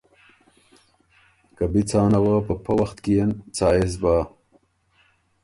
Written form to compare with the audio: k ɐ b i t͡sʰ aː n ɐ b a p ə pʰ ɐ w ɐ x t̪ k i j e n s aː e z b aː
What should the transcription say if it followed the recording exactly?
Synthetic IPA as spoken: k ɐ b i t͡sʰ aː n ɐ w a p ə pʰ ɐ w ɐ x t̪ k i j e n t͡s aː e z b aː